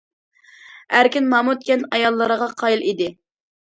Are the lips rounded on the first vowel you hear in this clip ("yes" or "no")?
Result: no